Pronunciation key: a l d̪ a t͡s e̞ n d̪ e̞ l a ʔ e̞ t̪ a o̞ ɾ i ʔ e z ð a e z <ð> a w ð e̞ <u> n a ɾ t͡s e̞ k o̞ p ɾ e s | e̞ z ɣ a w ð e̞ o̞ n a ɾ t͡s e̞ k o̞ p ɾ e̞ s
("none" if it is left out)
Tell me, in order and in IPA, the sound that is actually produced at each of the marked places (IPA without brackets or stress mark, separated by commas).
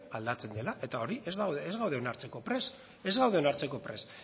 ɣ, o